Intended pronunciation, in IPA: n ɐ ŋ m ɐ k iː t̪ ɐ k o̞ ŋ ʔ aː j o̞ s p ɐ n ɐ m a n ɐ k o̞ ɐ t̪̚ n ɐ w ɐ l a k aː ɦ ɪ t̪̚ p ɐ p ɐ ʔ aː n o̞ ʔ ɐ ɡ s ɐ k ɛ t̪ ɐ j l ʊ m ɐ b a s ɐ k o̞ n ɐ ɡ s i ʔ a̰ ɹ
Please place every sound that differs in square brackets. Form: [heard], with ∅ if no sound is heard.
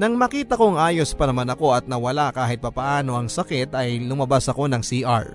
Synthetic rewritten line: n ɐ ŋ m ɐ k iː t̪ ɐ k o̞ ŋ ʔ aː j o̞ s p ɐ n ɐ m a n ɐ k o̞ ɐ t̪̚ n ɐ w ɐ l a k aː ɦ ɪ t̪̚ p ɐ p ɐ ʔ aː n o̞ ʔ ɐ [ŋ] s ɐ k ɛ t̪ ɐ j l ʊ m ɐ b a s ɐ k o̞ n ɐ [ŋ] s i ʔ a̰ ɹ